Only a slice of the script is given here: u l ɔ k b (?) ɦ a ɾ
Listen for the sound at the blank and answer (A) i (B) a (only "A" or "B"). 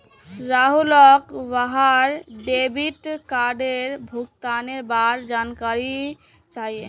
B